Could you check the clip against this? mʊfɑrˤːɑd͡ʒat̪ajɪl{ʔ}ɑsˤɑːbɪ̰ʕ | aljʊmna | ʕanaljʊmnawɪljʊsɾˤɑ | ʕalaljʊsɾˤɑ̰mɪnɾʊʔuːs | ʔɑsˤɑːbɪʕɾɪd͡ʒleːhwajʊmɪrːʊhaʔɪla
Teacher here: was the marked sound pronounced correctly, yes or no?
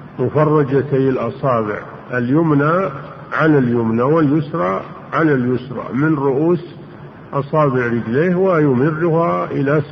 yes